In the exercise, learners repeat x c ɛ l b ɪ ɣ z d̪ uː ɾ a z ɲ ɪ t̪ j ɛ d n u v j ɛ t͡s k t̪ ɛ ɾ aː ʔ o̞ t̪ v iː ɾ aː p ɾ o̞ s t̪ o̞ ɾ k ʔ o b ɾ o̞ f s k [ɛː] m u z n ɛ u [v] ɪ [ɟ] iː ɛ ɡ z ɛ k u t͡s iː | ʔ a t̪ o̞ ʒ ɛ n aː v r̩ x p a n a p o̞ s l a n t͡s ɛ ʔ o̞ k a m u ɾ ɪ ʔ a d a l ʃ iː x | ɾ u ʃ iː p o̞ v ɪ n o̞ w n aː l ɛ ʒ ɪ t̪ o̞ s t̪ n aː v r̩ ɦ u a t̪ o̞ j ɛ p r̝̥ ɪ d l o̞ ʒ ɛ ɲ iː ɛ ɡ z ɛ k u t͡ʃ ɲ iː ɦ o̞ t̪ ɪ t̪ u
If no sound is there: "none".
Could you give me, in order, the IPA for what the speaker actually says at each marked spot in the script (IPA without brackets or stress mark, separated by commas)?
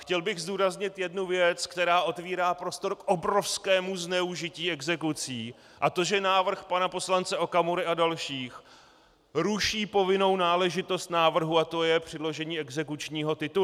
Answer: ɛː, ʒ, c